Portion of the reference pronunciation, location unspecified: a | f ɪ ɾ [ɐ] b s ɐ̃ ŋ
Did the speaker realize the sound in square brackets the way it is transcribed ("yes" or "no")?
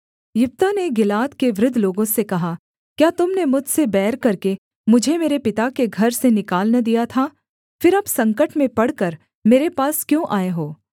yes